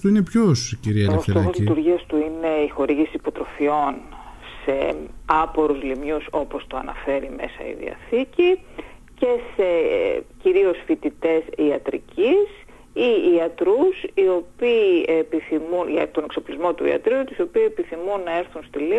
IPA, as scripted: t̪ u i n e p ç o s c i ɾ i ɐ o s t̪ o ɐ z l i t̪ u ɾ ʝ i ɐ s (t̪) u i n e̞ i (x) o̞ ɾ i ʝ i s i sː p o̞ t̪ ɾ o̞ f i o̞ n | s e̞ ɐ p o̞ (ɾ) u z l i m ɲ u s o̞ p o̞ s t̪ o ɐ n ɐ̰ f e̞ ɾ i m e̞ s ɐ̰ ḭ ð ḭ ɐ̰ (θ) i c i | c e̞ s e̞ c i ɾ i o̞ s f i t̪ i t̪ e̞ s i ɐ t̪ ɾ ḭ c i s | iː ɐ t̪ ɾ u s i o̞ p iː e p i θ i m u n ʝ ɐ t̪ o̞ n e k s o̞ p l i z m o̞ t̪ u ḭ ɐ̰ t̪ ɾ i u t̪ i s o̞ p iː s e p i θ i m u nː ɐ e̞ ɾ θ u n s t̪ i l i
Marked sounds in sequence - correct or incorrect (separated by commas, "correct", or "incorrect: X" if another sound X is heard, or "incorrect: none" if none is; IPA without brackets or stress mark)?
correct, correct, correct, correct